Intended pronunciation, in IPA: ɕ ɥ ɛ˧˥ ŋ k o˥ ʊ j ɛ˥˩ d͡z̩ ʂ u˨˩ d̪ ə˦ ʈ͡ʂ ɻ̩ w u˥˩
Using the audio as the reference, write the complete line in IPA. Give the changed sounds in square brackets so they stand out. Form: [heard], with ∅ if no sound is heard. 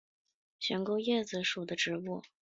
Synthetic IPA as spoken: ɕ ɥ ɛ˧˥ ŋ k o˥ ʊ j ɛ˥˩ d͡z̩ ʂ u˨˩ d̪ ə˦ ʈ͡ʂ ɻ̩ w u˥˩